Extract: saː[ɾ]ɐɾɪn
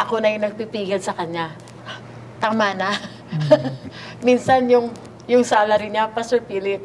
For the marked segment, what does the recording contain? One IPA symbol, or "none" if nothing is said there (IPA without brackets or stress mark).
l